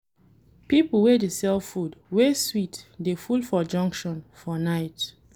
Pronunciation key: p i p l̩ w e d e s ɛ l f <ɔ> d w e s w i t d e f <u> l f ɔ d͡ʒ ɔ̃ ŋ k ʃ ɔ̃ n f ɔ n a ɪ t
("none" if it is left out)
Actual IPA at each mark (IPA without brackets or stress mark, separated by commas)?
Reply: u, u